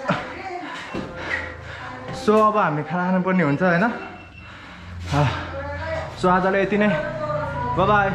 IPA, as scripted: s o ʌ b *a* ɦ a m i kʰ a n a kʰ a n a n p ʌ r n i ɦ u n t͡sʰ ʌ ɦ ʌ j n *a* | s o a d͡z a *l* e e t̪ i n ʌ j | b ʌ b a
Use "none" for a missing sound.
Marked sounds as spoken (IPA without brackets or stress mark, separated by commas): ʌ, ʌ, l